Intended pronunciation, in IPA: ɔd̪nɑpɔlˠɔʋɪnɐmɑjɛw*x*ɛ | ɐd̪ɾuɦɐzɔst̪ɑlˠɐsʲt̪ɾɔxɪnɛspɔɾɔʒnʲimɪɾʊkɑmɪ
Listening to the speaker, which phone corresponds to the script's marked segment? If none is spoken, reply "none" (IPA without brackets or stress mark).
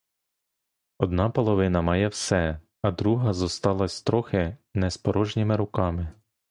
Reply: s